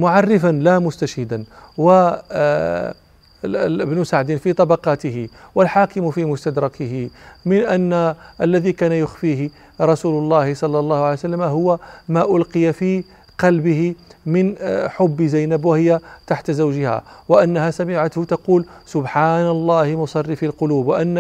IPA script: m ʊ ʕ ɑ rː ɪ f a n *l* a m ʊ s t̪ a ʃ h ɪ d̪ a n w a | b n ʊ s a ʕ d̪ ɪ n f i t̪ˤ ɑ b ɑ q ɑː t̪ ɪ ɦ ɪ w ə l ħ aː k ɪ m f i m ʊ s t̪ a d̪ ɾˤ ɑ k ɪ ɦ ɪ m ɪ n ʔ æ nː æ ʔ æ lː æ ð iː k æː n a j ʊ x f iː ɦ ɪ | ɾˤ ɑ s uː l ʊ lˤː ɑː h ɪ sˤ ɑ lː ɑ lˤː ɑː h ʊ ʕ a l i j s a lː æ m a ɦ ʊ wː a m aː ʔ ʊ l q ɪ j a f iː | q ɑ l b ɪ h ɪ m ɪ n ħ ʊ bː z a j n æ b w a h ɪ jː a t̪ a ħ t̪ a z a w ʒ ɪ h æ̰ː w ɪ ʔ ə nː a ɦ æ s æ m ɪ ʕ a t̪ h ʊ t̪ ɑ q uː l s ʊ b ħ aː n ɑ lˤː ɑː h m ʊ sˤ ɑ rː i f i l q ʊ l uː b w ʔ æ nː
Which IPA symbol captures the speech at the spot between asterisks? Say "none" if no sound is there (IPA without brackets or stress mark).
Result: l